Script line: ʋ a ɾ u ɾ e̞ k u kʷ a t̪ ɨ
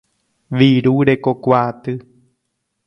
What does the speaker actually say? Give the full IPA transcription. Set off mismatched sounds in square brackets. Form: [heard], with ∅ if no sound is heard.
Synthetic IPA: ʋ [i] ɾ u ɾ e̞ k [o] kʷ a t̪ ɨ